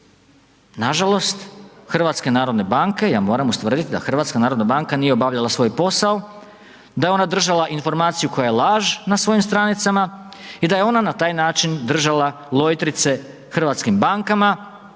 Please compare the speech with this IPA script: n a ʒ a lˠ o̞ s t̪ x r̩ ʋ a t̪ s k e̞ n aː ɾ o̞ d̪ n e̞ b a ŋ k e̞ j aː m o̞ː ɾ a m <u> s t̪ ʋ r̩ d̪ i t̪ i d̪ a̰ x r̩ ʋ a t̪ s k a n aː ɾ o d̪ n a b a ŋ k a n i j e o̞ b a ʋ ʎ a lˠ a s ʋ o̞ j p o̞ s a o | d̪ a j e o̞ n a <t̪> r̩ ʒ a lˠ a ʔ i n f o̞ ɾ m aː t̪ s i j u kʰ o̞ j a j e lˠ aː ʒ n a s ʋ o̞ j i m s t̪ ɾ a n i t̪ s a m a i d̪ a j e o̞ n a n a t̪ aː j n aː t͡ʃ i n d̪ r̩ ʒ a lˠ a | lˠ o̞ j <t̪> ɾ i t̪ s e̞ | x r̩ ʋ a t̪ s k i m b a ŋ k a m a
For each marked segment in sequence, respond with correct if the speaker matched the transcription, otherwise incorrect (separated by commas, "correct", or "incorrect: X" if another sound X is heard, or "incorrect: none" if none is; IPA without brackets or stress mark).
correct, incorrect: d̪, correct